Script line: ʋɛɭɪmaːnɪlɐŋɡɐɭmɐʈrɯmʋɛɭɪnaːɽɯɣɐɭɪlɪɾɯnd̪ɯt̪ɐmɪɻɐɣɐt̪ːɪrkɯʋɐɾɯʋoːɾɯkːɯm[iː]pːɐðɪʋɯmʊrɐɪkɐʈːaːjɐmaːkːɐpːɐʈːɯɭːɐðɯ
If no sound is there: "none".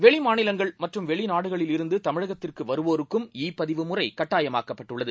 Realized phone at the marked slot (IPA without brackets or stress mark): iː